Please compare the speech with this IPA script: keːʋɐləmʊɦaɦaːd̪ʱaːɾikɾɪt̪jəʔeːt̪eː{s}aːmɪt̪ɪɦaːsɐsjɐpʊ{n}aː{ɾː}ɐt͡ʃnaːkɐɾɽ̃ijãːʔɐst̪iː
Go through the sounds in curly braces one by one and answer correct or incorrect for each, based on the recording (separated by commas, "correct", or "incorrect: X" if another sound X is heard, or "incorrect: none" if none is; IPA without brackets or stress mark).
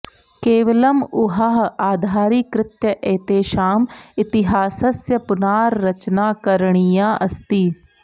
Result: incorrect: ʃ, correct, correct